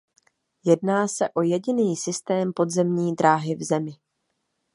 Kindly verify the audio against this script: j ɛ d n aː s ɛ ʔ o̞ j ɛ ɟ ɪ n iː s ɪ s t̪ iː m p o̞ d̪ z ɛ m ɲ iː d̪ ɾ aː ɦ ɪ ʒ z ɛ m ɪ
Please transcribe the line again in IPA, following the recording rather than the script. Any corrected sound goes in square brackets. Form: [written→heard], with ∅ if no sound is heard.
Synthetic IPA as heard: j ɛ d n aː s ɛ ʔ o̞ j ɛ ɟ ɪ n iː s ɪ s t̪ [iː→ɛː] m p o̞ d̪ z ɛ m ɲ iː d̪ ɾ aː ɦ ɪ [ʒ→v] z ɛ m ɪ